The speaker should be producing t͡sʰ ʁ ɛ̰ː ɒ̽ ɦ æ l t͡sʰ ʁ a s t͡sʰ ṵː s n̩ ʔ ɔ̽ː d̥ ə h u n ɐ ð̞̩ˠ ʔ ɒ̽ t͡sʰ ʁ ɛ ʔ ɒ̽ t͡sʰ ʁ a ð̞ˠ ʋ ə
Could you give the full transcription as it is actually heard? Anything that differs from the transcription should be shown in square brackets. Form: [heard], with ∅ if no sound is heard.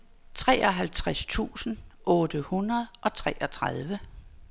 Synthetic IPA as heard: t͡sʰ ʁ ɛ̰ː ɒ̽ ɦ æ l t͡sʰ ʁ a s t͡sʰ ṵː s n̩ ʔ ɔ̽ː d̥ ə h u n ɐ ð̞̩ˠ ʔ ɒ̽ t͡sʰ ʁ ɛ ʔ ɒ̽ t͡sʰ ʁ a ð̞ˠ ʋ ə